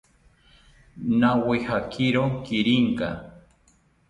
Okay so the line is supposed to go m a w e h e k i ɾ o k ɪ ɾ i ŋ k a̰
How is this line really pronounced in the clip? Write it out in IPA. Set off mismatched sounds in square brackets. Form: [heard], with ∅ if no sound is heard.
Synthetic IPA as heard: [n] a w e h [a] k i ɾ o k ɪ ɾ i ŋ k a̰